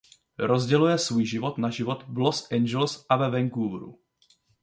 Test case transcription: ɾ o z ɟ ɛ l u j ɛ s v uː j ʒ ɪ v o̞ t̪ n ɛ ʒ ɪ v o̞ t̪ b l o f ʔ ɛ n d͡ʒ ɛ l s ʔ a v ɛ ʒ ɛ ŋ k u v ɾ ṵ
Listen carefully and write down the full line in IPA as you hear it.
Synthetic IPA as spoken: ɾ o z ɟ ɛ l u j ɛ s v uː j ʒ ɪ v o̞ t̪ n a ʒ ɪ v o̞ t̪ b l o s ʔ ɛ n d͡ʒ ɛ l s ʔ a v ɛ v ɛ ŋ k u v ɾ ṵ

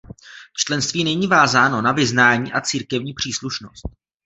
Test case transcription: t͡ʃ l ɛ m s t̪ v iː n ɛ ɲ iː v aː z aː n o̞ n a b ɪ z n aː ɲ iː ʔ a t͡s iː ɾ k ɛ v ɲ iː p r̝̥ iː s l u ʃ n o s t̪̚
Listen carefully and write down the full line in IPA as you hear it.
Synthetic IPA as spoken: t͡ʃ l ɛ n s t̪ v iː n ɛ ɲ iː v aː z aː n o̞ n a v ɪ z n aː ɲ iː ʔ a t͡s iː ɾ k ɛ v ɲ iː p r̝̥ iː s l u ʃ n o s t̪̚

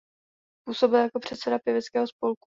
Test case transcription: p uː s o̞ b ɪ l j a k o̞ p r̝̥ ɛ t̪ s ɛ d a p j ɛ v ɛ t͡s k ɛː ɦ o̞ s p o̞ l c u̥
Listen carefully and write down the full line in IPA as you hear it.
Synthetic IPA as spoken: p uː s o̞ b ɪ l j a k o̞ p r̝̥ ɛ t̪ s ɛ d a p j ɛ v ɛ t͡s k ɛː ɦ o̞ s p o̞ l k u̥

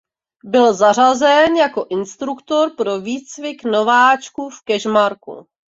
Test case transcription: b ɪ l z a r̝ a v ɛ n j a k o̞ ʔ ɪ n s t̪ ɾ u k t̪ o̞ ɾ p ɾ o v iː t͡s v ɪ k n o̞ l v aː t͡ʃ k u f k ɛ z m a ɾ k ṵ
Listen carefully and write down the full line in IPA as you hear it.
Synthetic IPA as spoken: b ɪ l z a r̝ a z ɛ n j a k o̞ ʔ ɪ n s t̪ ɾ u k t̪ o̞ ɾ p ɾ o v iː t͡s v ɪ k n o̞ v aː t͡ʃ k u f k ɛ ʒ m a ɾ k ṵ

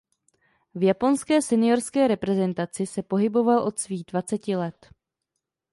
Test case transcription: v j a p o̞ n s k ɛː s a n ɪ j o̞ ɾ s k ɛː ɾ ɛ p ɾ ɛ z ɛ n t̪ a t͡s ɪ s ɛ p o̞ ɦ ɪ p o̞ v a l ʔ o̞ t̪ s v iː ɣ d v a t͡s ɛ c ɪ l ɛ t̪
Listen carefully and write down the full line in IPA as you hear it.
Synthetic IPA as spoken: v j a p o̞ n s k ɛː s ɛ n ɪ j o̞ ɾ s k ɛː ɾ ɛ p ɾ ɛ z ɛ n t̪ a t͡s ɪ s ɛ p o̞ ɦ ɪ b o̞ v a l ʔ o̞ t̪ s v iː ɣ d v a t͡s ɛ c ɪ l ɛ t̪

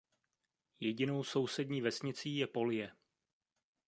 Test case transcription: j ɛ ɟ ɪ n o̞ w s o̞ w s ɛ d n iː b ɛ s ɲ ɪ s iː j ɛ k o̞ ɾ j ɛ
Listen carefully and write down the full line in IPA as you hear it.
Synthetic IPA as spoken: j ɛ ɟ ɪ n o̞ w s o̞ w s ɛ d ɲ iː v ɛ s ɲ ɪ t͡s iː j ɛ p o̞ l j ɛ

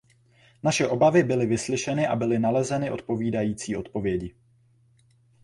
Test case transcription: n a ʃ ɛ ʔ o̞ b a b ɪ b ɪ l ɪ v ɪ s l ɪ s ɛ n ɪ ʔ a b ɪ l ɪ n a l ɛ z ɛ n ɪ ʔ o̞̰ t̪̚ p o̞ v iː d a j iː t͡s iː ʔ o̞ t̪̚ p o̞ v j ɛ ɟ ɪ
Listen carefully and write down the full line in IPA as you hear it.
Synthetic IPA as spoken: n a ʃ ɛ ʔ o̞ b a v ɪ b ɪ l ɪ v ɪ s l ɪ ʃ ɛ n ɪ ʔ a b ɪ l ɪ n a l ɛ z ɛ n ɪ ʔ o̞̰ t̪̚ p o̞ v iː d a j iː t͡s iː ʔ o̞ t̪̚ p o̞ v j ɛ ɟ ɪ

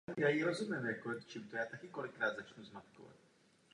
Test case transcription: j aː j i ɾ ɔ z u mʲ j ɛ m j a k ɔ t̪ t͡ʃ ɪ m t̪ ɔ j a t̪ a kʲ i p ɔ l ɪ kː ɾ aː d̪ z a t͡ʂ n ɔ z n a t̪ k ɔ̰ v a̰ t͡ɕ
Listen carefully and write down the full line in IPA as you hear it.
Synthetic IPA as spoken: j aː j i ɾ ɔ z u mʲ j ɛ m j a k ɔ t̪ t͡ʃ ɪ m t̪ ɔ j a t̪ a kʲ i k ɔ l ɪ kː ɾ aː d̪ z a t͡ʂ n u z m a t̪ k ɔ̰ v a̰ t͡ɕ

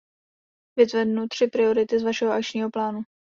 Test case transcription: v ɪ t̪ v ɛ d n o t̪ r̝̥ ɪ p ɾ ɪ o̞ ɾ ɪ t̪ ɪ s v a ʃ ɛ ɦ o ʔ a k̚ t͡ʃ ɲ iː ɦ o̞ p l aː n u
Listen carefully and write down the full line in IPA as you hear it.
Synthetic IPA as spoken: v ɪ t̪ v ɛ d n u t̪ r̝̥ ɪ p ɾ ɪ o̞ ɾ ɪ t̪ ɪ z v a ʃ ɛ ɦ o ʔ a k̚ t͡ʃ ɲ iː ɦ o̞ p l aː n u

